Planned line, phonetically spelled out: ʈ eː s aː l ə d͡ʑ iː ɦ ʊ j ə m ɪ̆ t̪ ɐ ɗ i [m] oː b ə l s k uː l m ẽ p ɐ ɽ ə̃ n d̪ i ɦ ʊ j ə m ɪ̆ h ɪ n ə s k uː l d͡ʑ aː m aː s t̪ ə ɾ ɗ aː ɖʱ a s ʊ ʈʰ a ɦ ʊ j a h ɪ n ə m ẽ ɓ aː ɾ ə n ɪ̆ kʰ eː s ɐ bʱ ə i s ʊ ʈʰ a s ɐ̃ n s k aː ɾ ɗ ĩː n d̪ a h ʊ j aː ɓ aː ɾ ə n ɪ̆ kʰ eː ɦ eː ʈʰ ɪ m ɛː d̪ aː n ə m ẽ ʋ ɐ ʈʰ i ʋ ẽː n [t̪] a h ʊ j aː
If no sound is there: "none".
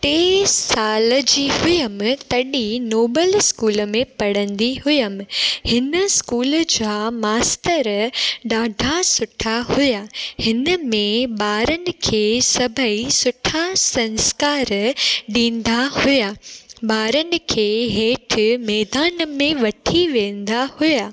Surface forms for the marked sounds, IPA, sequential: n, d̪

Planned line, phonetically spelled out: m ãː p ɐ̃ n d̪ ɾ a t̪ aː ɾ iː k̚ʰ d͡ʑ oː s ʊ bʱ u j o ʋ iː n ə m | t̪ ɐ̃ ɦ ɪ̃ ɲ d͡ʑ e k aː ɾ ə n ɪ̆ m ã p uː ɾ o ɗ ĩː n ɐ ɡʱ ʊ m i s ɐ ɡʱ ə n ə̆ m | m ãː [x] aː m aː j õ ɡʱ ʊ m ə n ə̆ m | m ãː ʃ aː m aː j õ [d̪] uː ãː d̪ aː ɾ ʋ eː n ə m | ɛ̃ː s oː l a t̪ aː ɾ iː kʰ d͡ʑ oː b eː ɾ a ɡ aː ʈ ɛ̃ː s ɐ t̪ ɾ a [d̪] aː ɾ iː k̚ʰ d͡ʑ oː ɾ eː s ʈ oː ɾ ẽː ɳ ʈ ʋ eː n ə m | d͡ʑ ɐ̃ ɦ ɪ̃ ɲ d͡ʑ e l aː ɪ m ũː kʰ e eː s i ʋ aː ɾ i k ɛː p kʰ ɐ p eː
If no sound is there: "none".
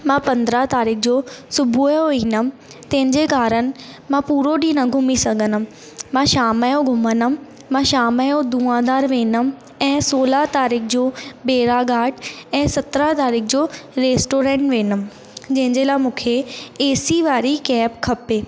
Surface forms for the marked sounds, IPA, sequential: ʃ, d̪, t̪

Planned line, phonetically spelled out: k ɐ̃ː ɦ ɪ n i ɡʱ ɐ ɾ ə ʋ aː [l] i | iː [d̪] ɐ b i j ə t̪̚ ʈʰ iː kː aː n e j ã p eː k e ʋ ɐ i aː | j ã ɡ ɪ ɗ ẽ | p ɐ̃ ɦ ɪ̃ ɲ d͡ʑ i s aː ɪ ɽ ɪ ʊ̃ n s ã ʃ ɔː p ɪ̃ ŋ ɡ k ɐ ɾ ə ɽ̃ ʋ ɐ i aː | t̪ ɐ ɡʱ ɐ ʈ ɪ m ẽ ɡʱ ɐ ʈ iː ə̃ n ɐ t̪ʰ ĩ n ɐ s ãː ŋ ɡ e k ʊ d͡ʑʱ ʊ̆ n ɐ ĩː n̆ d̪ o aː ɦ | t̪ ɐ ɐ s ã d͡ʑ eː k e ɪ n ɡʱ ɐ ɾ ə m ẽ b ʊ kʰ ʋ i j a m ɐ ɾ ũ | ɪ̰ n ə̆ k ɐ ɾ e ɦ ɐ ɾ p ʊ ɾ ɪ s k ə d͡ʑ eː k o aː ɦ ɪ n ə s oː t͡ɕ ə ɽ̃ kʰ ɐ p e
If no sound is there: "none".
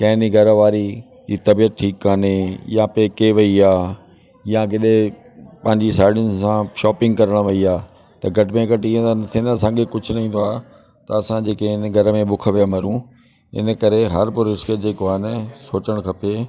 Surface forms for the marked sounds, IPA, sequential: ɾ, t̪

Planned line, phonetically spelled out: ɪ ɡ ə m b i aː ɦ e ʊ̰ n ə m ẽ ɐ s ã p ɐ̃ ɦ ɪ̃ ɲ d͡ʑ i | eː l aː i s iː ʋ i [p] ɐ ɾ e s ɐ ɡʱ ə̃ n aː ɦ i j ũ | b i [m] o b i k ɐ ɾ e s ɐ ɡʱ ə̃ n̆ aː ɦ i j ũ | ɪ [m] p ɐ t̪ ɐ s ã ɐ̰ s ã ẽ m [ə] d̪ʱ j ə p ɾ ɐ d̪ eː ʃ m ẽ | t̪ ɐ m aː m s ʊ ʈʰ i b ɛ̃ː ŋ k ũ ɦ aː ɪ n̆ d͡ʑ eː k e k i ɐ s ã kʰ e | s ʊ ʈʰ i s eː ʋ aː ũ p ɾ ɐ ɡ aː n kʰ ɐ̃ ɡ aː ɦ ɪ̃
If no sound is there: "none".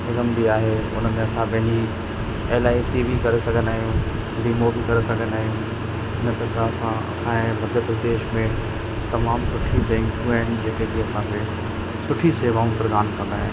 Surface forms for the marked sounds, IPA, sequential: k, m, n, ɐ

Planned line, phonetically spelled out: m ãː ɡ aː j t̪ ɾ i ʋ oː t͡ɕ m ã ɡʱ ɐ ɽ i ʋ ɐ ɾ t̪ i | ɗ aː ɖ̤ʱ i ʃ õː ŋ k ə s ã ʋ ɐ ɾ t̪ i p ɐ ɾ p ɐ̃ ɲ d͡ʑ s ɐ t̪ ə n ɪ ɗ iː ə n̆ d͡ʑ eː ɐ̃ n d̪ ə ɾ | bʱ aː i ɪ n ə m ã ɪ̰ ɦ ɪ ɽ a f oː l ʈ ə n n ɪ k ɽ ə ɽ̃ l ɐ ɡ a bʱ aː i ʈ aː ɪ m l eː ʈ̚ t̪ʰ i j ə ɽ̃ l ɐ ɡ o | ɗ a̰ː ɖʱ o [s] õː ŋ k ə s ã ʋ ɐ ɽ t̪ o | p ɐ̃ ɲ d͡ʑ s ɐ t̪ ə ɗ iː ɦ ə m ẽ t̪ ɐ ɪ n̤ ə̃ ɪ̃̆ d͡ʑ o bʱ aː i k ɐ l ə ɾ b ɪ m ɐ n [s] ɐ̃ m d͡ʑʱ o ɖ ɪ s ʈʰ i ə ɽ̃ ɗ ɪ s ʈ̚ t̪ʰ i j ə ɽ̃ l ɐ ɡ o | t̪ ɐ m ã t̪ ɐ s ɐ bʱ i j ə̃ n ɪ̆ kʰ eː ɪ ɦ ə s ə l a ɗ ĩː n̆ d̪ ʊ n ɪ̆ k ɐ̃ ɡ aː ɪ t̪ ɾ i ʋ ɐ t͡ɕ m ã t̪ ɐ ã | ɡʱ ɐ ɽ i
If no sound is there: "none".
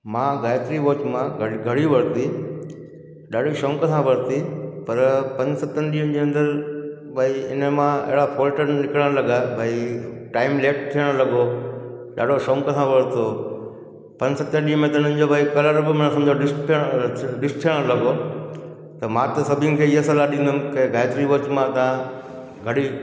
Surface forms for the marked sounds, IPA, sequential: ʃ, s

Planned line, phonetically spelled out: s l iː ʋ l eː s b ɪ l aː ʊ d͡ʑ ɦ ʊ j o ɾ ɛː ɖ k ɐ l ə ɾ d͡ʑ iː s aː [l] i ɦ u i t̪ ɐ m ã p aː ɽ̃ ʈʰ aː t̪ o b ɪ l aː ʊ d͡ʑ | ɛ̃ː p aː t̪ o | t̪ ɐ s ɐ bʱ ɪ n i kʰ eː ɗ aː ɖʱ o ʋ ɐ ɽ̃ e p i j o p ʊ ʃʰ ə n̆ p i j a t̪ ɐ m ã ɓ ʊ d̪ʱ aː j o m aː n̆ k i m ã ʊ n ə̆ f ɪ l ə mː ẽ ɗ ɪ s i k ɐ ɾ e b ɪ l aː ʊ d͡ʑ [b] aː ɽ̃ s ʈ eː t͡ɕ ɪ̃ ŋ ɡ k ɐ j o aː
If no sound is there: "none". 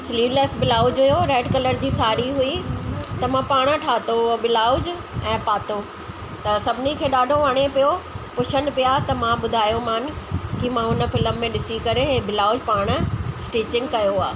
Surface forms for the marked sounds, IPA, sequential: ɾ, p

